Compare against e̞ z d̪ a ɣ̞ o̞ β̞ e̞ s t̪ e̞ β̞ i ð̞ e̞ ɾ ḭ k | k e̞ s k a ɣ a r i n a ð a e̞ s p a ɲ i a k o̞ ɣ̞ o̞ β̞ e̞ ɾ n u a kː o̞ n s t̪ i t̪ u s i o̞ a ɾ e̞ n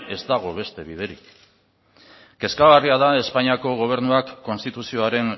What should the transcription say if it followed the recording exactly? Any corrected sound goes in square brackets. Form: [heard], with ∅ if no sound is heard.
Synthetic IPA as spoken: e̞ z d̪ a ɣ̞ o̞ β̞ e̞ s t̪ e̞ β̞ i ð̞ e̞ ɾ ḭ k | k e̞ s k a ɣ a r i [∅] a ð a e̞ s p a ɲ i a k o̞ ɣ̞ o̞ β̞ e̞ ɾ n u a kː o̞ n s t̪ i t̪ u s i o̞ a ɾ e̞ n